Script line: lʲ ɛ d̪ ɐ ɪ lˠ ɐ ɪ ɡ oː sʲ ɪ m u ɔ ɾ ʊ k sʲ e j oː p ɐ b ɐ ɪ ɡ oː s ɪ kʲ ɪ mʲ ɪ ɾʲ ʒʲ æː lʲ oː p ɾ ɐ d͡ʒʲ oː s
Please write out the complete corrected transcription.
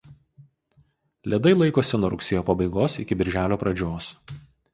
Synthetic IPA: lʲ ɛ d̪ ɐ ɪ lˠ ɐ ɪ k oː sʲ ɪ n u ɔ ɾ ʊ k sʲ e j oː p ɐ b ɐ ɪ ɡ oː s ɪ kʲ ɪ bʲ ɪ ɾʲ ʒʲ æː lʲ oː p ɾ ɐ d͡ʒʲ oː s